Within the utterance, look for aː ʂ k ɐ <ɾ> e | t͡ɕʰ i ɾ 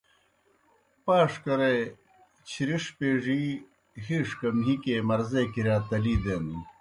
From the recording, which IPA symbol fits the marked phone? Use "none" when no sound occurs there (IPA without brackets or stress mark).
ɾ